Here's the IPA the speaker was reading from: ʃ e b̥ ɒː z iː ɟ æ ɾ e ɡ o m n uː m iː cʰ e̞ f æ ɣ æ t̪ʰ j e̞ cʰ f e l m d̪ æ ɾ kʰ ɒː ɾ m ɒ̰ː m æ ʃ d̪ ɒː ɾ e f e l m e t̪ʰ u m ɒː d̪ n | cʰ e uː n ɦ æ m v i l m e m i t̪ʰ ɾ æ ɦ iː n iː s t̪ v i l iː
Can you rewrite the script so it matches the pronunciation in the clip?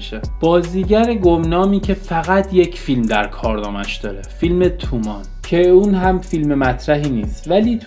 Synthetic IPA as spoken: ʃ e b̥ ɒː z iː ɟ æ ɾ e ɡ o m n ɒː m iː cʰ e̞ f æ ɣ æ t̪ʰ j e̞ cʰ f i l m d̪ æ ɾ kʰ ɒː ɾ n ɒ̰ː m æ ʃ d̪ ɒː ɾ e f i l m e t̪ʰ u m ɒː n | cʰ e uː n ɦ æ m f i l m e m æ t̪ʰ ɾ æ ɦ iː n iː s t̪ v æ l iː